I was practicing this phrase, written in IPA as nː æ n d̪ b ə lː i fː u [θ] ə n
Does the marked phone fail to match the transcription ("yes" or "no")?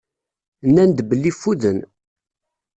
yes